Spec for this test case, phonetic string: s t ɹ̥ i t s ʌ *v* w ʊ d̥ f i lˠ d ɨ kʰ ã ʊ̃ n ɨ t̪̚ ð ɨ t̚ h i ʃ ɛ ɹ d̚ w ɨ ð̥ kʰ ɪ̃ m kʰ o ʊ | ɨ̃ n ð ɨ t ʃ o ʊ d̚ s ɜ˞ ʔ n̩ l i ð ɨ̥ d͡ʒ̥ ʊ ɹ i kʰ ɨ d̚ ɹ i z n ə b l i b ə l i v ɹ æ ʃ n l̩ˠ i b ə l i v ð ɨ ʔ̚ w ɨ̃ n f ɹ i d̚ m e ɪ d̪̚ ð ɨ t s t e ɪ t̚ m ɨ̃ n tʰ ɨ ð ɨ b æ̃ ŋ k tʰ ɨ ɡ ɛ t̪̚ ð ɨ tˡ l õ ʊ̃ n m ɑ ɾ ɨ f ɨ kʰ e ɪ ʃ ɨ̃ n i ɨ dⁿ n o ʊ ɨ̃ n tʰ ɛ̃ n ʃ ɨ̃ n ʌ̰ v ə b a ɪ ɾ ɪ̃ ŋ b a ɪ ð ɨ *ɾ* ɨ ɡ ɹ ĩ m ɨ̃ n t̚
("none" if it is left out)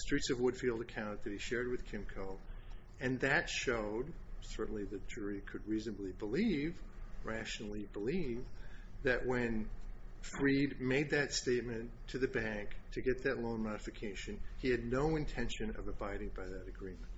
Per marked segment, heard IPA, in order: v, ɾ

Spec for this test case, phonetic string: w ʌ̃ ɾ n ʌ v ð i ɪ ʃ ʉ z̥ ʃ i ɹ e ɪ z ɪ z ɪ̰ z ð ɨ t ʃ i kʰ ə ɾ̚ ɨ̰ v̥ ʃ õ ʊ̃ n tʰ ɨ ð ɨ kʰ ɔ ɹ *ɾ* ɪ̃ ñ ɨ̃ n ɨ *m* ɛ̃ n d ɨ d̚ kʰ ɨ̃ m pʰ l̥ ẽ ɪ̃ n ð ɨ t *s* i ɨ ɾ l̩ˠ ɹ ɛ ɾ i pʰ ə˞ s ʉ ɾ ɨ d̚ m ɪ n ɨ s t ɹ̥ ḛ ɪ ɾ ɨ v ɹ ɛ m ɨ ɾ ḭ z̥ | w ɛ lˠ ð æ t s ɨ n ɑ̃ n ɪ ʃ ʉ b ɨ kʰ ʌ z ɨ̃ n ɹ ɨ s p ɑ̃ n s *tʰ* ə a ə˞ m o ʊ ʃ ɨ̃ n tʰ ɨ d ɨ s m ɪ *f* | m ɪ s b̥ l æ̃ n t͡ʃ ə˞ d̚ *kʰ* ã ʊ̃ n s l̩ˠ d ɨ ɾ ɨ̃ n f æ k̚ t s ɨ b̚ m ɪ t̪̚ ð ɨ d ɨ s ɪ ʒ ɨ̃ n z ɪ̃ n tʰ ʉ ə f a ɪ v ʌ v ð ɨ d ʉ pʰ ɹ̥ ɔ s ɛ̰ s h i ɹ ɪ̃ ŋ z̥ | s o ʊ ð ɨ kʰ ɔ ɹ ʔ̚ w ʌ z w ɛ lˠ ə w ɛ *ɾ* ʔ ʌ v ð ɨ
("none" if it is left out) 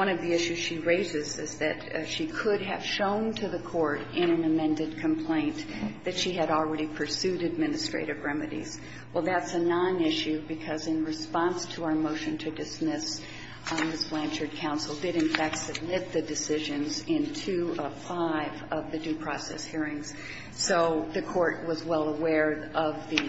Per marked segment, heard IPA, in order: ɾ, m, ʃ, tʰ, s, kʰ, ɹ

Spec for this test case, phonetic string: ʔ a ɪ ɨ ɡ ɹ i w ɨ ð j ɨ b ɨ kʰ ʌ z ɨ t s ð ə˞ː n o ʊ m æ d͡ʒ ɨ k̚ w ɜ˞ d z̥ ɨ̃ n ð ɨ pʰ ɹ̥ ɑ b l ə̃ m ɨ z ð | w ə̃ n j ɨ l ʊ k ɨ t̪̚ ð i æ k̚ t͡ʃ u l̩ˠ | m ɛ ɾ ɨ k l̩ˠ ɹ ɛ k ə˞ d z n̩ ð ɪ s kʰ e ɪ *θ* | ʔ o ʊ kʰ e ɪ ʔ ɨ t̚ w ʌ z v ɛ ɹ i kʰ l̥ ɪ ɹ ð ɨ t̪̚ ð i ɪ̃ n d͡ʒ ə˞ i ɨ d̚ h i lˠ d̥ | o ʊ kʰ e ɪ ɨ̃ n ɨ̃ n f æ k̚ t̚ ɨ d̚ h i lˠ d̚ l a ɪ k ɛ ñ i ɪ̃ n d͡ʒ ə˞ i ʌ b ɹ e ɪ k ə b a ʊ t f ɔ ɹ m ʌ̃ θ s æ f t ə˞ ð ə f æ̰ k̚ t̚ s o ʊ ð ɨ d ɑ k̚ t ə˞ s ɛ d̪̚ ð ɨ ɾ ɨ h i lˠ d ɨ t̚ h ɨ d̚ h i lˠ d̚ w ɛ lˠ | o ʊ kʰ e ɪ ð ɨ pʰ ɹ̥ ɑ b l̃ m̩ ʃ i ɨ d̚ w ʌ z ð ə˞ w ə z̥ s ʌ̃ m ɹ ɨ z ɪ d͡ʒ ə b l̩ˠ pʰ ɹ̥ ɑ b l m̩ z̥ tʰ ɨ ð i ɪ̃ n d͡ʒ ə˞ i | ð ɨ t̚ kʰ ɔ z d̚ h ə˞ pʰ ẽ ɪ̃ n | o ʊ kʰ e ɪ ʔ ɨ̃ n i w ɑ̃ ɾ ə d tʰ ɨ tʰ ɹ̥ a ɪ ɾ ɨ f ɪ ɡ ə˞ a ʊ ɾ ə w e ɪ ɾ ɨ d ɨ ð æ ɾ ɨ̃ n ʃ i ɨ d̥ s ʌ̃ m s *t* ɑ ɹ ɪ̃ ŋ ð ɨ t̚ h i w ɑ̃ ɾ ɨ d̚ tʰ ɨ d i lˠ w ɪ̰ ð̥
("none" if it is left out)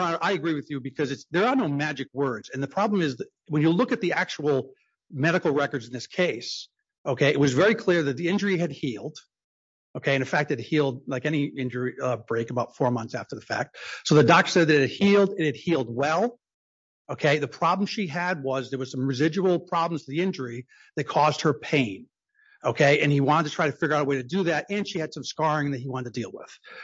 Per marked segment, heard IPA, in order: s, k

